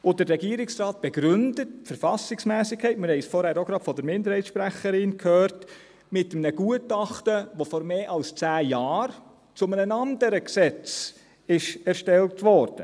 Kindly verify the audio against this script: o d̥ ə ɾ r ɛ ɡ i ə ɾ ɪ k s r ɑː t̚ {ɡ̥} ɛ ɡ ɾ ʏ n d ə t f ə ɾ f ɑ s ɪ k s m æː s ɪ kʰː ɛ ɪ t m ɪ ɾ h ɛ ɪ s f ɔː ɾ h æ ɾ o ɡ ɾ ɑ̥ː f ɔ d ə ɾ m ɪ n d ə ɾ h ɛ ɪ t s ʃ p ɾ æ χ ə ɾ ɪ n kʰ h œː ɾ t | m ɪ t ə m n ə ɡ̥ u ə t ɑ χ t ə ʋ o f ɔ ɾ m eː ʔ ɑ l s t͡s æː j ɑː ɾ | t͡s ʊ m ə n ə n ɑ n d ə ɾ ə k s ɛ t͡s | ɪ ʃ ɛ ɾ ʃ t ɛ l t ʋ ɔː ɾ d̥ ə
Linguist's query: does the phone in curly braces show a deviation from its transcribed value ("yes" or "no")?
yes